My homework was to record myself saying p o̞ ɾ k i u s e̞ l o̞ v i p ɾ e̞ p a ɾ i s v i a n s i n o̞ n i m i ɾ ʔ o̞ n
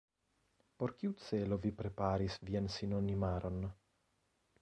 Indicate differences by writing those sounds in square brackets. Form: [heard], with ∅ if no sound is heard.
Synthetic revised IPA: p o̞ ɾ k i u [t͡s] e̞ l o̞ v i p ɾ e̞ p a ɾ i s v i a n s i n o̞ n i m [a] ɾ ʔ o̞ n